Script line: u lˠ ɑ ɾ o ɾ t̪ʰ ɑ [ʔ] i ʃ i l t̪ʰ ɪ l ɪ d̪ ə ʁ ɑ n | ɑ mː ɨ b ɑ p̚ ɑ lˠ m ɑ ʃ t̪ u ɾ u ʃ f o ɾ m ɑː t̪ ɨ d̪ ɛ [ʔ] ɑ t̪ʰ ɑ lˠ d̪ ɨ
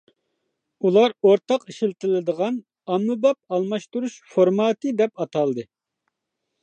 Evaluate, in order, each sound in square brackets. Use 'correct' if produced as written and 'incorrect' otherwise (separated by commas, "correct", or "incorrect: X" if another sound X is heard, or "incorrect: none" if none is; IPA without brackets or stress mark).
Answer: incorrect: q, incorrect: p